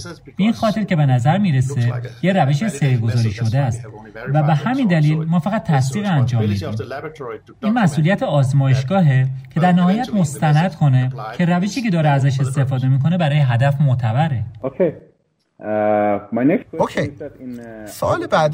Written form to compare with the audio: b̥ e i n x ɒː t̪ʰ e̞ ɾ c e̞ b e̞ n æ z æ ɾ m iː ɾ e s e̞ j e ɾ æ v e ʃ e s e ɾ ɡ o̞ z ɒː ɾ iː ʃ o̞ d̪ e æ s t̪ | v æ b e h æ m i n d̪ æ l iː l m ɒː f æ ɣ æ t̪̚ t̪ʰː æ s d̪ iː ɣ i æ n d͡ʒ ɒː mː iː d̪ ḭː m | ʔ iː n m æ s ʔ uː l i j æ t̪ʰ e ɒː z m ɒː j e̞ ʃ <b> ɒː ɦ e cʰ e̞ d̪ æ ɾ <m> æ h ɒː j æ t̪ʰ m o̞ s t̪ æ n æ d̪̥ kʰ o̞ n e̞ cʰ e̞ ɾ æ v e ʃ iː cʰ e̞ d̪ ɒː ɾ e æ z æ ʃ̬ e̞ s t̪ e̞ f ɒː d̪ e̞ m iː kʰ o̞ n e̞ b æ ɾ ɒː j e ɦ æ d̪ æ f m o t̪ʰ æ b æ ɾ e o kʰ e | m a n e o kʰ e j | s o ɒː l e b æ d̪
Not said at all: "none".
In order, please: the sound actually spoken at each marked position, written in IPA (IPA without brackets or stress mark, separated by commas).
ɡ, n